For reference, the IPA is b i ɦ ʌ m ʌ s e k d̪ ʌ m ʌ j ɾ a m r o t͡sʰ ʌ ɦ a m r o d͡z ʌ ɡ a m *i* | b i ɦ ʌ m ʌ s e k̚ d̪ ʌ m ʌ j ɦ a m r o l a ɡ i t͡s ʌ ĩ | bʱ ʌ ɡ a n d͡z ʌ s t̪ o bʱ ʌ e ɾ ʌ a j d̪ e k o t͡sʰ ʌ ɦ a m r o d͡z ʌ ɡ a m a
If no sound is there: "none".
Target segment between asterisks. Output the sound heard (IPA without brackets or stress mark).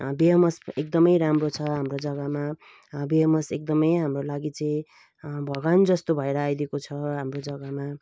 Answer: a